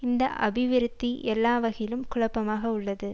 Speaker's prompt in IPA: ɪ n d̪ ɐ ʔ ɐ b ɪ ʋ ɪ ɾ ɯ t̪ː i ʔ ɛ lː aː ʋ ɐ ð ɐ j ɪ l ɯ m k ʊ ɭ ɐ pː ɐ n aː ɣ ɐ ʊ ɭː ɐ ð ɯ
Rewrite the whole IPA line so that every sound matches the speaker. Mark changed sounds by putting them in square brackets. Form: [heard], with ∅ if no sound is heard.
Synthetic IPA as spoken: ɪ n d̪ ɐ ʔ ɐ b ɪ ʋ ɪ ɾ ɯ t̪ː i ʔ ɛ lː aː ʋ ɐ [ɣ] ɐ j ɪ l ɯ m k ʊ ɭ ɐ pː ɐ [m] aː ɣ ɐ ʊ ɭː ɐ ð ɯ